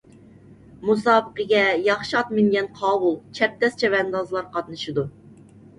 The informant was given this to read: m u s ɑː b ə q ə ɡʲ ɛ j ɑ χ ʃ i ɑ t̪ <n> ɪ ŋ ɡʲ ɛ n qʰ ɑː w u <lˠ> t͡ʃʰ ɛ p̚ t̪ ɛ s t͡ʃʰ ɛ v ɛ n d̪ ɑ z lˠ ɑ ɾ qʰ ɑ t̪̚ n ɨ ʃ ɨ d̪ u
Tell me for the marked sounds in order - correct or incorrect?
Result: incorrect: m, correct

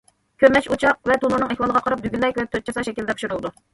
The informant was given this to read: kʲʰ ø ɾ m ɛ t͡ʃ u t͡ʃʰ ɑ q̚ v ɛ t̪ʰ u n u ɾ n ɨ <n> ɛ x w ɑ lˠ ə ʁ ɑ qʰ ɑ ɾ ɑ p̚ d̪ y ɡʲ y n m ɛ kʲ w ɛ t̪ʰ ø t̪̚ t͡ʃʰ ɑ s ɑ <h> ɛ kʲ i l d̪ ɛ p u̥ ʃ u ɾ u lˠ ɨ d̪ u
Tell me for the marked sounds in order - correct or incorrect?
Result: incorrect: ŋ, incorrect: ʃ

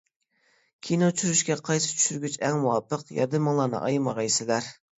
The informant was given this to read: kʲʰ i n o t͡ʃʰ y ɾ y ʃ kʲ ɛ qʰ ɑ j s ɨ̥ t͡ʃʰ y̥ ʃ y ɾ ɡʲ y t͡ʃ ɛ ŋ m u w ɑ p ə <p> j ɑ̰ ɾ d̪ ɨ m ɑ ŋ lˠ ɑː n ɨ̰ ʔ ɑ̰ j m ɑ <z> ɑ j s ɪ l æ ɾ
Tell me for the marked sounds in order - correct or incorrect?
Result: incorrect: q, incorrect: ʁ

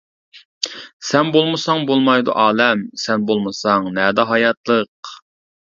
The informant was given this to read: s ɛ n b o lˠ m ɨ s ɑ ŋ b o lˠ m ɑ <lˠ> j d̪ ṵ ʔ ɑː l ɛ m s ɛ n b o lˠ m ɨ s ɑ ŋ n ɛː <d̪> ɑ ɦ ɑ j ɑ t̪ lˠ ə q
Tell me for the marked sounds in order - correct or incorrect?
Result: incorrect: none, correct

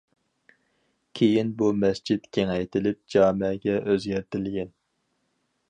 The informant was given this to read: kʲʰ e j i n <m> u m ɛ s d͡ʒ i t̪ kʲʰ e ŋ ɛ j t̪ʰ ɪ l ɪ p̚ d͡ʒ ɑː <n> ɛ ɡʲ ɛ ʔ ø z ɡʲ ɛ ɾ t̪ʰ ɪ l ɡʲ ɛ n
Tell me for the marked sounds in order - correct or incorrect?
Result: incorrect: b, incorrect: m

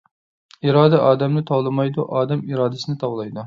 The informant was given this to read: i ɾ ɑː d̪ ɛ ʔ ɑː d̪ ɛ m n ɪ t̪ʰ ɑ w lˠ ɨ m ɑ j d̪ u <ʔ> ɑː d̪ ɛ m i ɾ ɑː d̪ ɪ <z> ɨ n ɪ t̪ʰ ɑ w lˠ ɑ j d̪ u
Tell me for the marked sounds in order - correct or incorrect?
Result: correct, incorrect: s

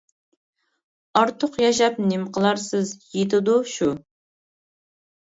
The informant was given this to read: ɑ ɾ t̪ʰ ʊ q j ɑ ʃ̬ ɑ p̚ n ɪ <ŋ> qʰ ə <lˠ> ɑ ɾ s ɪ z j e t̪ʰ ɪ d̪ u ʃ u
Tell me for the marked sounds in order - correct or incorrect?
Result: incorrect: m, correct

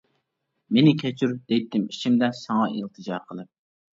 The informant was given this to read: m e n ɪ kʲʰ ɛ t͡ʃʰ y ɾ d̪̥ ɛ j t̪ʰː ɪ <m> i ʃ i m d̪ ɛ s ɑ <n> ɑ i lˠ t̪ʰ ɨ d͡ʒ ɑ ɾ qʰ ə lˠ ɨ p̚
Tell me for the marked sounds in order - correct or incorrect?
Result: correct, incorrect: ŋ

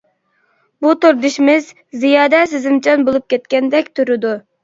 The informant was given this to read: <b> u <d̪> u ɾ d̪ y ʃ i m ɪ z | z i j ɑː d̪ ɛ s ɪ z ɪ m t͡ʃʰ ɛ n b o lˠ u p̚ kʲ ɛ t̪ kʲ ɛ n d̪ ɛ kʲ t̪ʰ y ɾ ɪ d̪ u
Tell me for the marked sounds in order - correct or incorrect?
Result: correct, incorrect: t̪

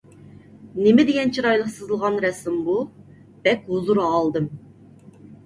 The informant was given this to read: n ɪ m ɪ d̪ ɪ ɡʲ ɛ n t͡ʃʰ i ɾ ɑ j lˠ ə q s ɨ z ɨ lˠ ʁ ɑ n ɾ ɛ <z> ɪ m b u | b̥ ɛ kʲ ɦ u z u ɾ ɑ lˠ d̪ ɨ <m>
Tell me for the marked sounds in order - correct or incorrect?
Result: incorrect: s, correct

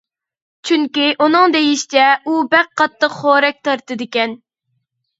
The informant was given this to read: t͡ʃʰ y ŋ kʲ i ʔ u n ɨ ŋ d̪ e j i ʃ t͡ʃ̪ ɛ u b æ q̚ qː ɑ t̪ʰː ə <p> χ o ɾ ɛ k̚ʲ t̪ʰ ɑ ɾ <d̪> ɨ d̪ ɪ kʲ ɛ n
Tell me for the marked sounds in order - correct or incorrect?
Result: incorrect: q, incorrect: t̪

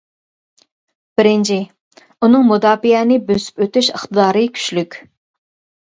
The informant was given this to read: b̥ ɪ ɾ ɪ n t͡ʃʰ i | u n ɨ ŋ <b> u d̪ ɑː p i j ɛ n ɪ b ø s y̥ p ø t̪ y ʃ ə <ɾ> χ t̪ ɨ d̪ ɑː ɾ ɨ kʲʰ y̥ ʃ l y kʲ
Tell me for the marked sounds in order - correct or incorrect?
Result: incorrect: m, incorrect: none

